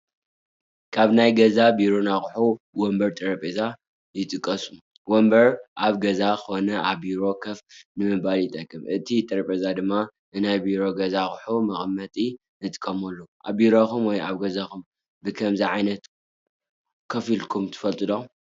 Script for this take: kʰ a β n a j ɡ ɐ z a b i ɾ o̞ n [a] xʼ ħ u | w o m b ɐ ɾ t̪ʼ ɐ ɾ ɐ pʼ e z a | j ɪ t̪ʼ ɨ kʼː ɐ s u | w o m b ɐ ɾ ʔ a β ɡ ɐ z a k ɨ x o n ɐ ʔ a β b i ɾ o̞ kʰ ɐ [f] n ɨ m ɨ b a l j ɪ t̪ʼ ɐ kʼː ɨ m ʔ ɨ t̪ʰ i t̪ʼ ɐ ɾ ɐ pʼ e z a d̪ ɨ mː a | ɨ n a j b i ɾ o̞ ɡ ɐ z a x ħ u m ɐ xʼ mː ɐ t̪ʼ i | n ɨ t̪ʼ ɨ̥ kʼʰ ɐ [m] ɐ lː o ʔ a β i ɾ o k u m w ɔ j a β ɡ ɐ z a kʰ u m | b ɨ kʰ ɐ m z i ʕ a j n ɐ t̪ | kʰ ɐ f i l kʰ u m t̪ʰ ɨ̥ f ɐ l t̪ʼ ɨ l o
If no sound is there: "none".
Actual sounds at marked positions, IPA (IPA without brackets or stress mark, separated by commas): a, f, m